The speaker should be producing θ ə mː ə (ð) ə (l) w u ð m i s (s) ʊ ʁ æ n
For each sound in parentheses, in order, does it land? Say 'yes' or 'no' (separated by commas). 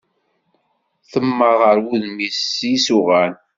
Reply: no, no, yes